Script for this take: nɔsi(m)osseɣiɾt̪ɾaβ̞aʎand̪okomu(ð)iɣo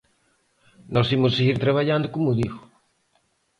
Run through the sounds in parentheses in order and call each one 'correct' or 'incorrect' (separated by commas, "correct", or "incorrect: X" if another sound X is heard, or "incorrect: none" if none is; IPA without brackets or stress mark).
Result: correct, correct